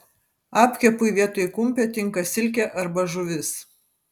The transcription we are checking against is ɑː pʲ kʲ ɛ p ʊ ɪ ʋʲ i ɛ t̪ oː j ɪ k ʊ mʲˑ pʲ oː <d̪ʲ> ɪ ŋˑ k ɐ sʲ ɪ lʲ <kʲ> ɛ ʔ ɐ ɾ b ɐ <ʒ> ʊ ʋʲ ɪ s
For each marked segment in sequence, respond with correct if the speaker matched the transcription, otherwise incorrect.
incorrect: t̪ʲ, correct, correct

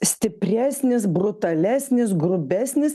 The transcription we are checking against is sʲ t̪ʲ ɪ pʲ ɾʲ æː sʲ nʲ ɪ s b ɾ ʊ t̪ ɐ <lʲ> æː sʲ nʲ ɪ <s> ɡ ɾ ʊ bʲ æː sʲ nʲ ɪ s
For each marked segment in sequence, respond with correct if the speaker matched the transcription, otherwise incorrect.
correct, correct

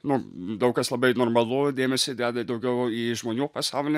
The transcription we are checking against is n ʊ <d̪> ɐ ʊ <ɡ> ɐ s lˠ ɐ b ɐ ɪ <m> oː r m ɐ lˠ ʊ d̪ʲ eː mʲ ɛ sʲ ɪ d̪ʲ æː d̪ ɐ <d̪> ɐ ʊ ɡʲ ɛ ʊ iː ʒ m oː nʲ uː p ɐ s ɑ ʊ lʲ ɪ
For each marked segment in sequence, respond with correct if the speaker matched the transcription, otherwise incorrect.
correct, incorrect: k, incorrect: n, correct

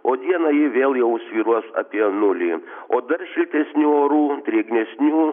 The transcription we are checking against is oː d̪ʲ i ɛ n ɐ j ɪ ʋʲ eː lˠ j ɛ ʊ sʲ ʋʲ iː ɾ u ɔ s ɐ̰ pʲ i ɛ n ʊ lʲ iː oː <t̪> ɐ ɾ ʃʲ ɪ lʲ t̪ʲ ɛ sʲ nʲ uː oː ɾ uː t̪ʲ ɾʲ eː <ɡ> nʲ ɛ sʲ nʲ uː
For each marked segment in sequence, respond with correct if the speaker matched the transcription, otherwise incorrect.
incorrect: d̪, correct

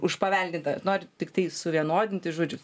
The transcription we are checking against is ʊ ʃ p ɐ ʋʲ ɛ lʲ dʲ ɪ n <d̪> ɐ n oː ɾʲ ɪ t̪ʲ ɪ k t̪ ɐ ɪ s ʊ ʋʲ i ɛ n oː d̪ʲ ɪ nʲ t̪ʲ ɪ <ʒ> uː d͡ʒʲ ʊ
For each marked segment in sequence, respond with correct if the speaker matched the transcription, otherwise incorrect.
incorrect: t̪, correct

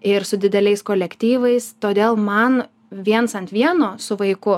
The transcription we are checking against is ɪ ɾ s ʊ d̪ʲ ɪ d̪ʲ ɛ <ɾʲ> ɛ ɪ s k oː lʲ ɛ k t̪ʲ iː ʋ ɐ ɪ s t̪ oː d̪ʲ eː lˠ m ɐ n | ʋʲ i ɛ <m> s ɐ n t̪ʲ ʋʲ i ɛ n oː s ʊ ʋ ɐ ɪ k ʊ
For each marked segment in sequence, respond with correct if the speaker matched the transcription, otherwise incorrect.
incorrect: lʲ, incorrect: n

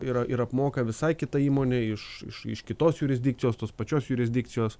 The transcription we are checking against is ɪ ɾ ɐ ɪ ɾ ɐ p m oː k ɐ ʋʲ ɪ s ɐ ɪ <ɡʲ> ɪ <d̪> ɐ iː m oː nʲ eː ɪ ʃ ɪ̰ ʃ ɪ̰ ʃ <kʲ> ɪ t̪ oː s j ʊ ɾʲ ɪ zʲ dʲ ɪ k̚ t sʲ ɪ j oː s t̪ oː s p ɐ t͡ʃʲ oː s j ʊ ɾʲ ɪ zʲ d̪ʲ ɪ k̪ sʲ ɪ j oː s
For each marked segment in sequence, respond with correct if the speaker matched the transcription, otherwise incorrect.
incorrect: kʲ, incorrect: t̪, correct

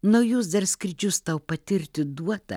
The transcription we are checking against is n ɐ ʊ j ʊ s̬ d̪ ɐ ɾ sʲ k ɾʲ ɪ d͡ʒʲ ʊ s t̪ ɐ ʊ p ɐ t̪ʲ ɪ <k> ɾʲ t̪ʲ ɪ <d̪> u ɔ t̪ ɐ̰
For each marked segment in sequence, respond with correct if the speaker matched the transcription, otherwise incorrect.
incorrect: none, correct

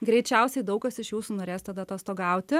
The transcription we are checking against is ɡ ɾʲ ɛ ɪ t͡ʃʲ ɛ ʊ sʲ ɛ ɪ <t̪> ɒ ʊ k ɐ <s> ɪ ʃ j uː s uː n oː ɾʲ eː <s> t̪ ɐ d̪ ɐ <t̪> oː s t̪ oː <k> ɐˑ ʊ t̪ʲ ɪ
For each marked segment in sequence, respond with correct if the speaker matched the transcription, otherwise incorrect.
incorrect: d̪, correct, correct, correct, incorrect: ɡ

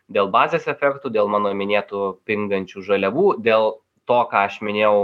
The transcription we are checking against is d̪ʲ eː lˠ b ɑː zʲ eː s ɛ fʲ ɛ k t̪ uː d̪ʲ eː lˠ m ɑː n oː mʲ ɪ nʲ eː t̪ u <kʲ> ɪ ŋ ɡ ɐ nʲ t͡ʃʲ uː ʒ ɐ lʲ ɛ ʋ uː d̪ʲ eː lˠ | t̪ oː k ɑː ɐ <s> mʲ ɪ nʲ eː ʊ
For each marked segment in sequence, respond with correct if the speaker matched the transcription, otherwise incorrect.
incorrect: pʲ, incorrect: ʃ

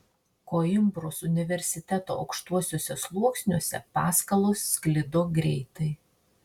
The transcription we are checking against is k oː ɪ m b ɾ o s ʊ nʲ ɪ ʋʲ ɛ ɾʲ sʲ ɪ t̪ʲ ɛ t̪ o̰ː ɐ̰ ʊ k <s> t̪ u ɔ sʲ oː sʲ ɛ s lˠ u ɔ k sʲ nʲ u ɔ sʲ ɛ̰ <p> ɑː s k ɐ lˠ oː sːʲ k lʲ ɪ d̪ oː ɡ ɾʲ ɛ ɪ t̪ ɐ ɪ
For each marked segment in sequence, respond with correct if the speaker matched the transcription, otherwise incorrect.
incorrect: ʃ, correct

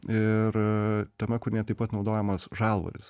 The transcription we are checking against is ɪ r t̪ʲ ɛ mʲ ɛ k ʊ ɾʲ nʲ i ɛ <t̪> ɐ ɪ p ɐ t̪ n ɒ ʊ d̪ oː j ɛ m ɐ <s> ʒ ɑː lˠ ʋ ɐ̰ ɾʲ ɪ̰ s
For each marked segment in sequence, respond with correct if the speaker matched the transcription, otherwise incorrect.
correct, correct

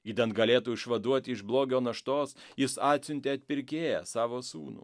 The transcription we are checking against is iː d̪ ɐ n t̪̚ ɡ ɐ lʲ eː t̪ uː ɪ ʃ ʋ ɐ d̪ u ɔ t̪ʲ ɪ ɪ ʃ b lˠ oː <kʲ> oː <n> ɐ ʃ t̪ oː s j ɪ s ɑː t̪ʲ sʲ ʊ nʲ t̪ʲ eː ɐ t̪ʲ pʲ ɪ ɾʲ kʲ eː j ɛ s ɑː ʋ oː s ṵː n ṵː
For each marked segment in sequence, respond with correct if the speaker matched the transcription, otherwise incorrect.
incorrect: ɡʲ, correct

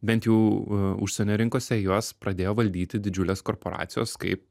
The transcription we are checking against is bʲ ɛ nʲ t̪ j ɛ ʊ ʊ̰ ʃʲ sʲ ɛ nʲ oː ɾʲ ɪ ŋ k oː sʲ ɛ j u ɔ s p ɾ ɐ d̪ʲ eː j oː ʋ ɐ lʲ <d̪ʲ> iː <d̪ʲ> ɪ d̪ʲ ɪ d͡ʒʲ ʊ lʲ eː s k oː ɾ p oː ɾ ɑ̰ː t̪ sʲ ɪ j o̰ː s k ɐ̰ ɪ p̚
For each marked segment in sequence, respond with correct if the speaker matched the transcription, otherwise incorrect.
correct, incorrect: t̪ʲ

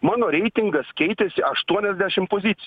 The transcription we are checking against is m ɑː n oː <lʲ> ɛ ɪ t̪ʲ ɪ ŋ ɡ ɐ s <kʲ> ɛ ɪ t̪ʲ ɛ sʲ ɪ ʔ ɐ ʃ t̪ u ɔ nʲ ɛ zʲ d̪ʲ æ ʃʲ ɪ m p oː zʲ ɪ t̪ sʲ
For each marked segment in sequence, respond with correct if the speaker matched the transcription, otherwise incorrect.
incorrect: ɾʲ, correct

